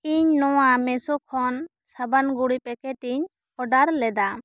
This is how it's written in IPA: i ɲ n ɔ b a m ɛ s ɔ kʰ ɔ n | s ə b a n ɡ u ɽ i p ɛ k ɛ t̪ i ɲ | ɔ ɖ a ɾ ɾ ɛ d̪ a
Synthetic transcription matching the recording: i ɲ n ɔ w a m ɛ s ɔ kʰ ɔ n | s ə b a n ɡ u ɽ i p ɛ k ɛ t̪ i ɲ | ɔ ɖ a ɾ l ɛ d̪ a